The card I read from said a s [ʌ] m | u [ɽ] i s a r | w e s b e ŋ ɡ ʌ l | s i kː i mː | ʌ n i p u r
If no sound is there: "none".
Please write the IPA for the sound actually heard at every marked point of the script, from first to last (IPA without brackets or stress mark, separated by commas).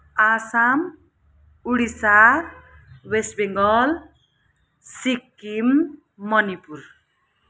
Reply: a, ɽ